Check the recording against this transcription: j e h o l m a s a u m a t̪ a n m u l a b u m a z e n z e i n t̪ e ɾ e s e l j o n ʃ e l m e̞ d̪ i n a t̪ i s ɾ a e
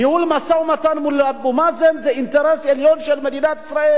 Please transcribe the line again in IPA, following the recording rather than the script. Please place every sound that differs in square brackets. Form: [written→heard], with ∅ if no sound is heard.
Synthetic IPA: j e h [o→u] l m a s a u m a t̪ a n m u l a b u m a z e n z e i n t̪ e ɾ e s e l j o n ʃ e l m e̞ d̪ i n a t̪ i s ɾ a e